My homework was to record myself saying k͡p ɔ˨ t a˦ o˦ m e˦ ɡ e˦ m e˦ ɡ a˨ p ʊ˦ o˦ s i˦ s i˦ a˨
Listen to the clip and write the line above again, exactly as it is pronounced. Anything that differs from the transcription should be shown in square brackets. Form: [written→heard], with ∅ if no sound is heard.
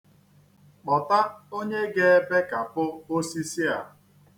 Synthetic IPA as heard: k͡p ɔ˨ t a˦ o˦ [m→ɲ] e˦ ɡ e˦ [m→b] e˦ [ɡ→k] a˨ p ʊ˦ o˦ s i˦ s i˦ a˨